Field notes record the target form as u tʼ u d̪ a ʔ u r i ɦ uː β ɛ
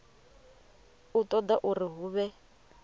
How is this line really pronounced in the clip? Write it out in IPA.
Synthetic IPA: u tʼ ɔ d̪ a ʔ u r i ɦ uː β ɛ

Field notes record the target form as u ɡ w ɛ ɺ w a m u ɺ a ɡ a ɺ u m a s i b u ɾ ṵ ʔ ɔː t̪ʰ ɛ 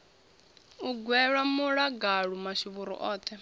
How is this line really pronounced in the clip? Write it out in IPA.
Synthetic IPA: u ɡ w ɛ ɺ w a m u ɺ a ɡ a ɺ u m a ʃ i β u ɾ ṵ ʔ ɔː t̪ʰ ɛ

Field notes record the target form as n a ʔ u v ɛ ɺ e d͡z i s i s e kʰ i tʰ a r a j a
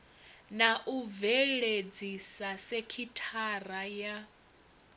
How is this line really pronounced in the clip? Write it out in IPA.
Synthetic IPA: n a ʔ u v ɛ ɺ e d͡z i s a s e kʰ i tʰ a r a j a

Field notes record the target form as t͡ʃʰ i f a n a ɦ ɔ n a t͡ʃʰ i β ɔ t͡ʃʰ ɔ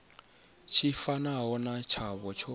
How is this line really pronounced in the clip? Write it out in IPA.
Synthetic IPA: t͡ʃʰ i f a n a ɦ ɔ n a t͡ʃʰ a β ɔ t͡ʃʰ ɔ

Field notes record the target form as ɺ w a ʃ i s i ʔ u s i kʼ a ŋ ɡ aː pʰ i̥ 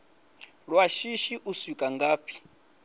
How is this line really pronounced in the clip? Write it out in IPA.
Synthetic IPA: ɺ w a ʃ i ʃ i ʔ u s i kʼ a ŋ ɡ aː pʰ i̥

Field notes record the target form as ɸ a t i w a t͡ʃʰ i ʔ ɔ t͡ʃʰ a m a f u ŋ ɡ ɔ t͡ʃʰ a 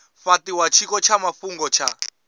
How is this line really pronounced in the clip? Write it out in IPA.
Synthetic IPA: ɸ a t i w a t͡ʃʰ i k ɔ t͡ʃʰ a m a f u ŋ ɡ ɔ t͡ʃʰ a

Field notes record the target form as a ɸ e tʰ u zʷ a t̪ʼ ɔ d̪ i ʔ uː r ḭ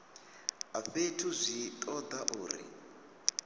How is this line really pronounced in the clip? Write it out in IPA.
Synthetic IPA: a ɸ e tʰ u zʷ i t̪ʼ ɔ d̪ a ʔ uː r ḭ

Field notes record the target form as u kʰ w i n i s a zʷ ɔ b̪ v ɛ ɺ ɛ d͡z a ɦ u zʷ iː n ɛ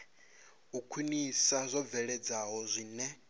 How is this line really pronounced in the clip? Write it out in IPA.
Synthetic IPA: u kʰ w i n i s a zʷ ɔ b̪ v ɛ ɺ ɛ d͡z a ɦ ɔ zʷ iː n ɛ

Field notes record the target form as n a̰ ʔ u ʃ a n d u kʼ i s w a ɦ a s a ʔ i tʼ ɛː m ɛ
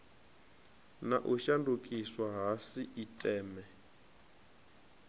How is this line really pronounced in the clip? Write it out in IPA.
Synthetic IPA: n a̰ ʔ u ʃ a n d u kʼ i s w a ɦ a s i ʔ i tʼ ɛː m ɛ

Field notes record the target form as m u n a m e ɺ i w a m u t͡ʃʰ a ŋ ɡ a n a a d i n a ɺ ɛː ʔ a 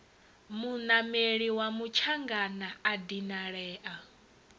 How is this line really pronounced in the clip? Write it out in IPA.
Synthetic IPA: m u n a m e ɺ i w a m u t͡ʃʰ a ŋ ɡ a n a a d i n a ɺ ɛː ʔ a

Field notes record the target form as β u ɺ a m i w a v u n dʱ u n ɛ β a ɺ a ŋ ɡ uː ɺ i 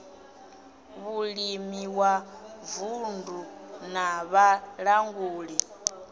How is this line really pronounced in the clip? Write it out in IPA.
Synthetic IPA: β u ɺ i m i w a v u n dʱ u n a β a ɺ a ŋ ɡ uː ɺ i

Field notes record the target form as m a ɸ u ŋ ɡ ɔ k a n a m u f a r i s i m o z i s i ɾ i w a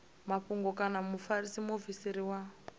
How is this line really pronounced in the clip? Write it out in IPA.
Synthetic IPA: m a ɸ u ŋ ɡ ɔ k a n a m u f a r i s i m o v i s i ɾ i w a

